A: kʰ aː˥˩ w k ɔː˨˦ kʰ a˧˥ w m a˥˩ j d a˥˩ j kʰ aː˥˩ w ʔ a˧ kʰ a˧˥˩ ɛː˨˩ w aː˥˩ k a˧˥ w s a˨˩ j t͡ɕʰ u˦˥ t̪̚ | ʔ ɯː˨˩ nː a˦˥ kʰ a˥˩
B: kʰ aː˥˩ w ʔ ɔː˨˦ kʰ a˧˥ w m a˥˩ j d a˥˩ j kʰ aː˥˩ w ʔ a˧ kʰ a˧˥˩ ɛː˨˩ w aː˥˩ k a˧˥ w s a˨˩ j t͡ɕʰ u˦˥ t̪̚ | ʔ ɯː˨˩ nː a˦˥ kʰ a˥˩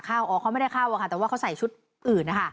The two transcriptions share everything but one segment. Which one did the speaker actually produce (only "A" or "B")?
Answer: B